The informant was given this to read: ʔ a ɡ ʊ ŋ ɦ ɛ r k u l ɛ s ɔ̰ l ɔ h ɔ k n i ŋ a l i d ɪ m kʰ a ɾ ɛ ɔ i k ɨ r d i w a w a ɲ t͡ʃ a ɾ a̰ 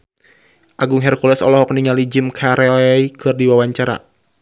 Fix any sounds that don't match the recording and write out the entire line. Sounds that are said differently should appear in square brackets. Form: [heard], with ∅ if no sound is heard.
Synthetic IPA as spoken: ʔ a ɡ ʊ ŋ ɦ ɛ r k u l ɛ s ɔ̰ l ɔ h ɔ k n i ŋ a l i [d͡ʒ] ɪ m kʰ a ɾ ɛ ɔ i k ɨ r d i w a w a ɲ t͡ʃ a ɾ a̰